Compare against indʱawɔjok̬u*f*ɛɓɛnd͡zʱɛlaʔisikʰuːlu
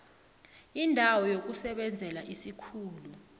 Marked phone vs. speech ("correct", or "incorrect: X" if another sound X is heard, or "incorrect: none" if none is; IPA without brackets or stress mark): incorrect: s